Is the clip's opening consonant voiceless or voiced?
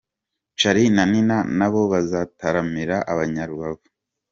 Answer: voiceless